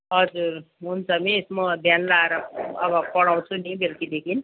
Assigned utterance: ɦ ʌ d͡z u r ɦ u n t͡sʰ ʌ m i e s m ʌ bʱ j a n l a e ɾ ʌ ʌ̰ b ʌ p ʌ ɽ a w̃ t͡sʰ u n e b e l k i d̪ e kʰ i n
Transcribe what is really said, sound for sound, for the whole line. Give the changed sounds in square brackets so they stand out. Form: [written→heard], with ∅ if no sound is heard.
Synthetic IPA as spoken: ɦ ʌ d͡z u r ɦ u n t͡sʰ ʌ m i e s m ʌ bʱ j a n l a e ɾ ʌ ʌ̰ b ʌ p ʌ ɽ a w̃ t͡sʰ u n [e→i] b e l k i d̪ e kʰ i n